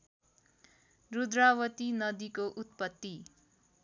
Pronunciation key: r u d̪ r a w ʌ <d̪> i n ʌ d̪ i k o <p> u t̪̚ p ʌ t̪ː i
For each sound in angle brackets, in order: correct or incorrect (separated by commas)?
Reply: incorrect, incorrect